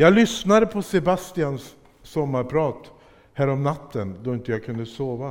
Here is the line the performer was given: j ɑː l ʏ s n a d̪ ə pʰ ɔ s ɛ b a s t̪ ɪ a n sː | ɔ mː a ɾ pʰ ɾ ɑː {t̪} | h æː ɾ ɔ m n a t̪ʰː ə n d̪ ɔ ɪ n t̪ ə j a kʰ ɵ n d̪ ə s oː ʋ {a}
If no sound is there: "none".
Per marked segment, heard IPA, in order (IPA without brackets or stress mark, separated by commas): t̪, a